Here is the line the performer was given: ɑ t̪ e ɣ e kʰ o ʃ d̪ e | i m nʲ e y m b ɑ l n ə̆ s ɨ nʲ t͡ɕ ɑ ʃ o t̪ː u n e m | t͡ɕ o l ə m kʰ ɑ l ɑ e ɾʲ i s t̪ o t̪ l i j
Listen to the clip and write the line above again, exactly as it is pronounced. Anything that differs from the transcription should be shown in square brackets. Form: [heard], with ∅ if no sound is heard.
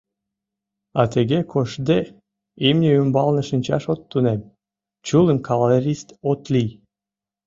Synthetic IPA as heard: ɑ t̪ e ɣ e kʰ o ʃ d̪ e | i m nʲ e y m b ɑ l n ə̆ [ʃ] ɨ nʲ t͡ɕ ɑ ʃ o t̪ː u n e m | t͡ɕ [u] l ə m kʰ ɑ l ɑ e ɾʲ i s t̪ o t̪ l i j

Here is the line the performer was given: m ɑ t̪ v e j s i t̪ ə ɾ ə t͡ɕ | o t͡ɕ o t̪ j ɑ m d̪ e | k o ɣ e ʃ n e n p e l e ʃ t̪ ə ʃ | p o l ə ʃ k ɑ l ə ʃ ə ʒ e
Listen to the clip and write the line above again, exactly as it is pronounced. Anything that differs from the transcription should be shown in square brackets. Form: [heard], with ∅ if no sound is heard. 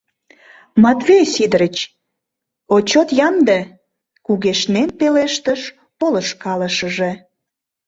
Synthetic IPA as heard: m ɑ t̪ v e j s i [d̪] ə ɾ ə t͡ɕ | o t͡ɕ o t̪ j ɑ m d̪ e | k [u] ɣ e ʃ n e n p e l e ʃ t̪ ə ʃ | p o l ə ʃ k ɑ l ə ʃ ə ʒ e

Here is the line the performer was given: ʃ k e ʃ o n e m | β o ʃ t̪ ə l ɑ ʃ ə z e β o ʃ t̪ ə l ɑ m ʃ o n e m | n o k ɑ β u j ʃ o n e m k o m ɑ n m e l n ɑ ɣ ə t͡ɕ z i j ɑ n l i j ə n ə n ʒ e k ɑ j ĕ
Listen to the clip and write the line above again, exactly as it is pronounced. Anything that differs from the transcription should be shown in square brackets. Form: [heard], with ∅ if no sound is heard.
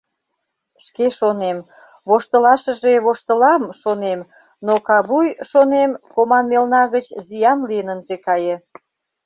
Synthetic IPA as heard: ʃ k e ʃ o n e m | β o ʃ t̪ ə l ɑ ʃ ə [ʒ] e β o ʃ t̪ ə l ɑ m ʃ o n e m | n o k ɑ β u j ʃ o n e m k o m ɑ n m e l n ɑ ɣ ə t͡ɕ z i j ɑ n l i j ə n ə n ʒ e k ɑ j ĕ

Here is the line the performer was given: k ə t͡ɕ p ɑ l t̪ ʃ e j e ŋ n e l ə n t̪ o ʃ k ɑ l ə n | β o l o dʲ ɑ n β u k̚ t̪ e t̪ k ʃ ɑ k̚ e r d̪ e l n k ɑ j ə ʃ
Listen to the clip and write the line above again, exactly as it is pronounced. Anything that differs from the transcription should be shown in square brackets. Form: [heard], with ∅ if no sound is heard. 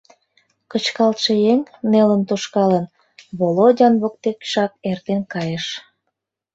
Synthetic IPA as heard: k ə t͡ɕ [k] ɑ l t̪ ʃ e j e ŋ n e l ə n t̪ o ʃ k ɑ l ə n | β o l o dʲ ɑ n β [o] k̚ t̪ e [∅] k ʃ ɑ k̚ e r [t̪] e [∅] n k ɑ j ə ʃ

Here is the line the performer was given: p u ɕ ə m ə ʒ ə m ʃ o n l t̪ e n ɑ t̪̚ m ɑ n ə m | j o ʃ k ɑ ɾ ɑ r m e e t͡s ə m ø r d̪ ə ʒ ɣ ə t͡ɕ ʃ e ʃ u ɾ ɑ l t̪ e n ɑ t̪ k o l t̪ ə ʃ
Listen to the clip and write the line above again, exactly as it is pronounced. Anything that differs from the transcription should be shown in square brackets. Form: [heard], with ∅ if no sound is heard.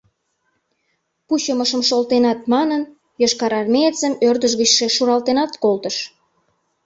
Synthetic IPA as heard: p u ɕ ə m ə [ʃ] ə m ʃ o [∅] l t̪ e n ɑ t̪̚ m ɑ n ə [n] | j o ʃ k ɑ ɾ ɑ r m e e t͡s ə m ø r d̪ ə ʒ ɣ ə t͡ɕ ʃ e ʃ u ɾ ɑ l t̪ e n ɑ t̪ k o l t̪ ə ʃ

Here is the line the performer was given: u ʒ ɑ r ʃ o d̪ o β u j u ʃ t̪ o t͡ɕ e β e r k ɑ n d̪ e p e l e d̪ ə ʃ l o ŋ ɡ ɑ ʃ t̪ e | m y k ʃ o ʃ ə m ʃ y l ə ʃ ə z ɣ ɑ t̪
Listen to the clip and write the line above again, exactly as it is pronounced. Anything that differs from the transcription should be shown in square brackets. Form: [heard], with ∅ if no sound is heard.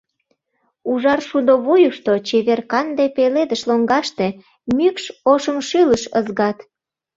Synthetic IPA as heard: u ʒ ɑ r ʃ [u] d̪ o β u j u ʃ t̪ o t͡ɕ e β e r k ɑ n d̪ e p e l e d̪ ə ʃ l o ŋ ɡ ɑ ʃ t̪ e | m y k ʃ o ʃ ə m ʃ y l ə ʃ ə z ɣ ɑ t̪

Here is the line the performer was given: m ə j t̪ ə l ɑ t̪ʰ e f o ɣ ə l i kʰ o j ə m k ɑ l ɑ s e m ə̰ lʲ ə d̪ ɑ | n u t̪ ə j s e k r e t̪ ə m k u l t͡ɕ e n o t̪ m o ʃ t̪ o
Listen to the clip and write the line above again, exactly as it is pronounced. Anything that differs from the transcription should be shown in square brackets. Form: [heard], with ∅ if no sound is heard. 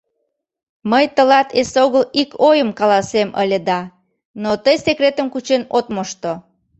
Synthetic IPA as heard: m ə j t̪ ə l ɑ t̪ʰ e [s] o ɣ ə l i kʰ o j ə m k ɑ l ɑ s e m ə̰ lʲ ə d̪ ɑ | n [o] t̪ ə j s e k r e t̪ ə m k u [∅] t͡ɕ e n o t̪ m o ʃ t̪ o

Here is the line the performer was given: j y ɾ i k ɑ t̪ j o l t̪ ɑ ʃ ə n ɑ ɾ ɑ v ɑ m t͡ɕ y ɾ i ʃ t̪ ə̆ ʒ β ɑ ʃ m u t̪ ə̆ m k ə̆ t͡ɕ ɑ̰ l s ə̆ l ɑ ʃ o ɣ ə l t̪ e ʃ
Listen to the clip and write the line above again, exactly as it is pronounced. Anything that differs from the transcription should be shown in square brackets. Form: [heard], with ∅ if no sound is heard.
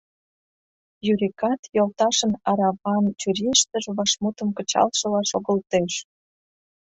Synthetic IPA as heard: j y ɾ i k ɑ t̪ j o l t̪ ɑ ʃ ə n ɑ ɾ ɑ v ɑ [n] t͡ɕ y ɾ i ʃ t̪ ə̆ ʒ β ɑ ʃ m u t̪ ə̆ m k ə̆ t͡ɕ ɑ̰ l [ʃ] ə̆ l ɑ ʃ o ɣ ə l t̪ e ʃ

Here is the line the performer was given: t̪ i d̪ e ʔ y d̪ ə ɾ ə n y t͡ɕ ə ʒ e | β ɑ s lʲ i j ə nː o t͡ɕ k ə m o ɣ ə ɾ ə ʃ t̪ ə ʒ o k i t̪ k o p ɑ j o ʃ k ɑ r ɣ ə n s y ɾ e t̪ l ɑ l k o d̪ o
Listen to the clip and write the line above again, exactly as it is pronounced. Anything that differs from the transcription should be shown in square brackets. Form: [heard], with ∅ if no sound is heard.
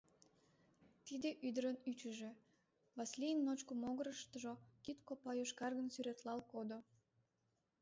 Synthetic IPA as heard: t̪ i d̪ e ʔ y d̪ ə ɾ ə n y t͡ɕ ə ʒ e | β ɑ s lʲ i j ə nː o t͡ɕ k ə m o ɣ ə ɾ ə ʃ t̪ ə ʒ o k i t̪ k o p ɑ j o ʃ k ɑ r ɣ ə n s y ɾ e t̪ l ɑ l k o d̪ o

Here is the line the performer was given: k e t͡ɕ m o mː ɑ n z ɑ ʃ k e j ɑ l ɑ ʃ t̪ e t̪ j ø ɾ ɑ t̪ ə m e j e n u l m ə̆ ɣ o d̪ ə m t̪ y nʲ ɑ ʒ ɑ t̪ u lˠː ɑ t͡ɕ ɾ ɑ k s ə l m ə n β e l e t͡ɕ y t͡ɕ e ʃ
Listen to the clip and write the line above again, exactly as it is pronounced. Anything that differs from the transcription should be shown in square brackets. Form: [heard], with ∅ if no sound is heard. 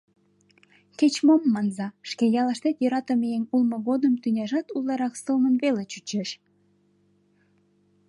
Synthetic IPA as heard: k e t͡ɕ m o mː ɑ n z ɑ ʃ k e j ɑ l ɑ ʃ t̪ e t̪ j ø ɾ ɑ t̪ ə m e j e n u l m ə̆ ɣ o d̪ ə m t̪ y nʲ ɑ ʒ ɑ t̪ u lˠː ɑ [∅] ɾ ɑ k s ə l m ə n β e l e t͡ɕ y t͡ɕ e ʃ

